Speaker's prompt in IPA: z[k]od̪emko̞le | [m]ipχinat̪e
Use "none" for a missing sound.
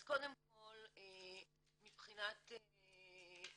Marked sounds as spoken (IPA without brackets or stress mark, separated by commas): k, m